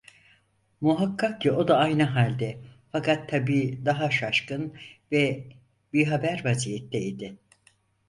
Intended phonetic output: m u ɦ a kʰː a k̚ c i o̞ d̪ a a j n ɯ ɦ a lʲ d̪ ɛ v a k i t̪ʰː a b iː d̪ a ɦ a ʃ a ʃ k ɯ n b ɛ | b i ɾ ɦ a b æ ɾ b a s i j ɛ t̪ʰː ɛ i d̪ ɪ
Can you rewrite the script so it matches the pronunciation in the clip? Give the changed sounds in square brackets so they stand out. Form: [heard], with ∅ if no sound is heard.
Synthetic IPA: m u ɦ a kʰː a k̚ c i o̞ d̪ a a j n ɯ ɦ a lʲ d̪ ɛ [f] a k [a] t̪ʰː a b iː d̪ a ɦ a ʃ a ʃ k ɯ n [v] ɛ | b i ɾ ɦ a b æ ɾ [v] a [z] i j ɛ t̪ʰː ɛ i d̪ ɪ